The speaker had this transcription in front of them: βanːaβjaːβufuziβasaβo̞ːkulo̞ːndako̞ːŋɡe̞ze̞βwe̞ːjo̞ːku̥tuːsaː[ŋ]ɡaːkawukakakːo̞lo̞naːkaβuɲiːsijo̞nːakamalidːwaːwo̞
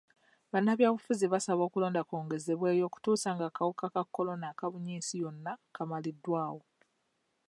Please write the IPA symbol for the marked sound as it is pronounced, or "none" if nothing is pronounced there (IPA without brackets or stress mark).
ŋ